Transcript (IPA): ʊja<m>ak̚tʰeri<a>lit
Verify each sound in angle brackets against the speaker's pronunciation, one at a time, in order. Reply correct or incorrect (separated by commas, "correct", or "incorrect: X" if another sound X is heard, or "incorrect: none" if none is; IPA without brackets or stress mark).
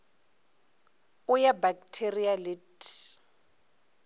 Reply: incorrect: b, correct